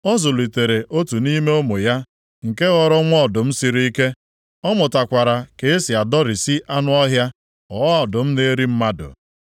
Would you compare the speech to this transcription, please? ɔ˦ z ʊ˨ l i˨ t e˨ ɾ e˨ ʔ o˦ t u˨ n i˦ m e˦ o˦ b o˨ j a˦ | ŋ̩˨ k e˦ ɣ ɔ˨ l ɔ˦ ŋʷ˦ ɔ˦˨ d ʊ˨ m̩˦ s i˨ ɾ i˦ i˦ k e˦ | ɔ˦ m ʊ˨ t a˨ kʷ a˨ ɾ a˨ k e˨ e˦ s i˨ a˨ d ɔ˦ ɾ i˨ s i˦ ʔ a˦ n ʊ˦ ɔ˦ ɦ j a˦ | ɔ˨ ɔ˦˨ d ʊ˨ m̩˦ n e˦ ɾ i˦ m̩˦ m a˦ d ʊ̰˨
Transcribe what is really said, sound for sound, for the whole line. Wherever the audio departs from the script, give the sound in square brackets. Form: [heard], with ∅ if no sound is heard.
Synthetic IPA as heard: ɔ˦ z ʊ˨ l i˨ t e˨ ɾ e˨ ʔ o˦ t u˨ n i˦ m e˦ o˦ [m] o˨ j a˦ | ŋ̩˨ k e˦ ɣ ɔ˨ [ɾ] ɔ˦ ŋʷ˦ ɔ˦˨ d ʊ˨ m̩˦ s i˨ ɾ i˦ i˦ k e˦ | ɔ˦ m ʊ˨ t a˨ kʷ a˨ ɾ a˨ k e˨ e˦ s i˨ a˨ d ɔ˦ ɾ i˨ s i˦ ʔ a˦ n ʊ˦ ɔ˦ ɦ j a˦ | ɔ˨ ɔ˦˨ d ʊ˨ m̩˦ n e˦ ɾ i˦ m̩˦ m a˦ d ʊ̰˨

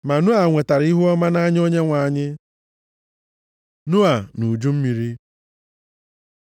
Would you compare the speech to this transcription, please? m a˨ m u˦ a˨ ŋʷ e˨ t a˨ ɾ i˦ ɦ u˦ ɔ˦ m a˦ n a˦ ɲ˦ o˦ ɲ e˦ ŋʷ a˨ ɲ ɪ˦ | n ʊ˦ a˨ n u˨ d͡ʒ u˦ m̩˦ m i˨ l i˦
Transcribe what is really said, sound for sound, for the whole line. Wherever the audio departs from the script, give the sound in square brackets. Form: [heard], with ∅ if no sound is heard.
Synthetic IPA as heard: m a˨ [n] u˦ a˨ ŋʷ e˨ t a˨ ɾ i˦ ɦ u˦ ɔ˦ m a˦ n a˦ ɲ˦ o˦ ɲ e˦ ŋʷ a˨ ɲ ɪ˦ | n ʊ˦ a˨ n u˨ d͡ʒ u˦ m̩˦ m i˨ [ɾ] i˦

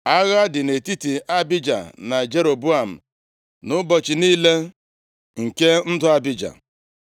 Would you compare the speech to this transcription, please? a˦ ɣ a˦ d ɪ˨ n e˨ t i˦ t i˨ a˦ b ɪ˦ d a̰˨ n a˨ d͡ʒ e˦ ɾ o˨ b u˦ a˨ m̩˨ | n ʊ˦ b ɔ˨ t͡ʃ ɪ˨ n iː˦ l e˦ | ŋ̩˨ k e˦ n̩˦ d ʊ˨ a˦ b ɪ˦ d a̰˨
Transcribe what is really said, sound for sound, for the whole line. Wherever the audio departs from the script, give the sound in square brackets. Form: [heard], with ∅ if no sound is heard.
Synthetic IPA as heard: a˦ ɣ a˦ d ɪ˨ n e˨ t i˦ t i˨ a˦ b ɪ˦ [d͡ʒ] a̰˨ n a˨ d͡ʒ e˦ ɾ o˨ b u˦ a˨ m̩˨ | n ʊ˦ b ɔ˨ t͡ʃ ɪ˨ n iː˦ l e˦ | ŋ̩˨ k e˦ n̩˦ d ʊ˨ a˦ b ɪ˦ [d͡ʒ] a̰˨

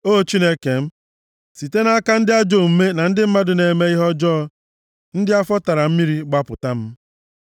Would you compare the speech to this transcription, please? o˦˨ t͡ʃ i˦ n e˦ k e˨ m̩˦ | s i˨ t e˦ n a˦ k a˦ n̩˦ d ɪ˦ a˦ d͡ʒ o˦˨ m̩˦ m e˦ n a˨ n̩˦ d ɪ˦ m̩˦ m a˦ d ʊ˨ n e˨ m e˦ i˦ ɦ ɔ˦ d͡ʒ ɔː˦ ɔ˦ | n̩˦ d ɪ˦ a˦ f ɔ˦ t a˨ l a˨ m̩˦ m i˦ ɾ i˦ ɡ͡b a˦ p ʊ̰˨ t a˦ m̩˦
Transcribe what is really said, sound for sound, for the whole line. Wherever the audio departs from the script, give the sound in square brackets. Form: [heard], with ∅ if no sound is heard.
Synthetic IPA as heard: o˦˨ t͡ʃ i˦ n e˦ k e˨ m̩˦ | s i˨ t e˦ n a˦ k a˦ n̩˦ d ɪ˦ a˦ d͡ʒ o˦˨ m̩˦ m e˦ n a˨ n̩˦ d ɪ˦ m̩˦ m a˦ d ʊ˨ n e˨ m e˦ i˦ ɦ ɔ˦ d͡ʒ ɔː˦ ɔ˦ | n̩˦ d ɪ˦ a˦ f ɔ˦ t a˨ [ɾ] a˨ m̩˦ m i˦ ɾ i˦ ɡ͡b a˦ p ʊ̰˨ t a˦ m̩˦

